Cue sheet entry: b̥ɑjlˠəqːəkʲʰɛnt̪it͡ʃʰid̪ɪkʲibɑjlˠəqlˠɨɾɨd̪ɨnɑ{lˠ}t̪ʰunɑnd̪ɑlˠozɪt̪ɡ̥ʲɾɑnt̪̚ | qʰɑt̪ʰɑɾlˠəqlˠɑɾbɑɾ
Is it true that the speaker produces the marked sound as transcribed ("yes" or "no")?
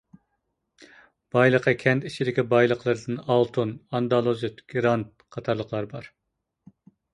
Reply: yes